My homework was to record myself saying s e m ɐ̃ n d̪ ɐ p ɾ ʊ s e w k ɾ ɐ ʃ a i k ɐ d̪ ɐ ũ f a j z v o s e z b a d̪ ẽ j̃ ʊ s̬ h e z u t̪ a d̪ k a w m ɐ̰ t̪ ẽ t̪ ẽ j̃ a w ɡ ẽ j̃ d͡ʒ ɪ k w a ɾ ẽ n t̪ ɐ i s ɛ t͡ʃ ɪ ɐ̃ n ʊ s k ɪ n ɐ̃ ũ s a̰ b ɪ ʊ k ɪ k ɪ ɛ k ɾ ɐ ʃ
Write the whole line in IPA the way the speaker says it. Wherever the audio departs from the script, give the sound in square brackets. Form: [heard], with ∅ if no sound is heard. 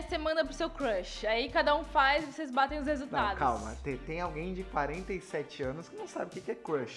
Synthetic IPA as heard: s e m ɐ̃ n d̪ ɐ p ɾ ʊ s e w k ɾ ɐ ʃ a i k [a] d̪ ɐ ũ f a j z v o s e z b a [t̪] ẽ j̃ ʊ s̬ h e z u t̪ a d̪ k a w m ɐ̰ t̪ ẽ t̪ ẽ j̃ a w ɡ ẽ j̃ d͡ʒ ɪ k w a ɾ ẽ n t̪ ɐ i s ɛ t͡ʃ ɪ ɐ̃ n ʊ s k ɪ n ɐ̃ [w̃] s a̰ b ɪ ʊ k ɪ k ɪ ɛ k ɾ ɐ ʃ